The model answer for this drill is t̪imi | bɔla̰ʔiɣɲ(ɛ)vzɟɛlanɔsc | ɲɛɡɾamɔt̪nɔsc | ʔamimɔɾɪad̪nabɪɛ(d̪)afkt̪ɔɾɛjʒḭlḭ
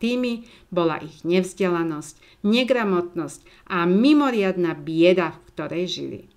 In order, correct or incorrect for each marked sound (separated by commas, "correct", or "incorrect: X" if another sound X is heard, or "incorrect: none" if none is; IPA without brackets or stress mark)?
correct, correct